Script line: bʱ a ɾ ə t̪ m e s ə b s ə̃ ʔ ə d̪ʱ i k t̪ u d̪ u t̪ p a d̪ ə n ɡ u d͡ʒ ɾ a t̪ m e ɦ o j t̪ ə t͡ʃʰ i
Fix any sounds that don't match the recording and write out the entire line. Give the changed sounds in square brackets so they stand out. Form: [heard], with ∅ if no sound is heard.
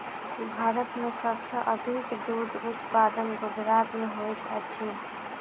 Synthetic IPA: bʱ a ɾ ə t̪ m e s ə b s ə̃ ʔ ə d̪ʱ i k [d̪] u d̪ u t̪ p a d̪ ə n ɡ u d͡ʒ ɾ a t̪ m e ɦ o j t̪ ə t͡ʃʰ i